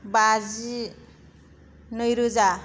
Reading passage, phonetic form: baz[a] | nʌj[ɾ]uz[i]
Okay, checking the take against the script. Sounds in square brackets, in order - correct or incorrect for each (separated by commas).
incorrect, correct, incorrect